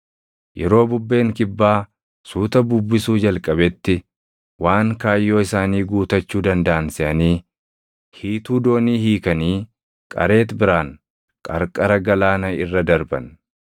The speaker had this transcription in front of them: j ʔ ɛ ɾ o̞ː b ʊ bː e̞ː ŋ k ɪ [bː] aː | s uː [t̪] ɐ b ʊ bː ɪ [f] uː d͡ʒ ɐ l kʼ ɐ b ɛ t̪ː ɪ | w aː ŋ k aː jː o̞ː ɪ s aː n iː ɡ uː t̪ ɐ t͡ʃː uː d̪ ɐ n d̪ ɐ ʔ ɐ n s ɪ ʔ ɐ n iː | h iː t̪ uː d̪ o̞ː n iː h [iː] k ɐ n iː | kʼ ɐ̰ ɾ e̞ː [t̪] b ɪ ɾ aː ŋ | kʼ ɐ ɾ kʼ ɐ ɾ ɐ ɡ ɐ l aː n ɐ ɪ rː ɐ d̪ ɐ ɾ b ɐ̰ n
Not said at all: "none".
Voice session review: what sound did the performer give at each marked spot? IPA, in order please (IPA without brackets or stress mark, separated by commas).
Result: bː, t̪, s, iː, t̪